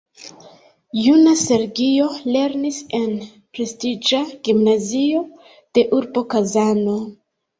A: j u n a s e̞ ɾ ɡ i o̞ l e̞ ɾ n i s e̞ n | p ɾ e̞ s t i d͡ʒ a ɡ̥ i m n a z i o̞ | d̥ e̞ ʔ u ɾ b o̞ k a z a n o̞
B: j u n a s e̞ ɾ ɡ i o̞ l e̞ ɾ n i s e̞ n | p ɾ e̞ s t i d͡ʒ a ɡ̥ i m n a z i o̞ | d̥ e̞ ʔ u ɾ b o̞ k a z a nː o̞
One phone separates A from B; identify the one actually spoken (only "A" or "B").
A